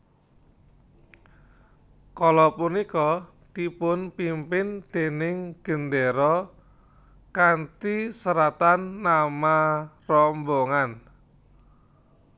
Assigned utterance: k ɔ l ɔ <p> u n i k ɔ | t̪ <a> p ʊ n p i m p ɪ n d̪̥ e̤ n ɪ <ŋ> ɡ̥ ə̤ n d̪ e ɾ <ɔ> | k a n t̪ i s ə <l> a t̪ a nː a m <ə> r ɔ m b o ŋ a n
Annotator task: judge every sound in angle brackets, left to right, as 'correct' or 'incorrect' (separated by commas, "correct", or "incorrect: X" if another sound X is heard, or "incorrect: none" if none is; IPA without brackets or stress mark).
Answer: correct, incorrect: i, correct, correct, incorrect: ɾ, incorrect: a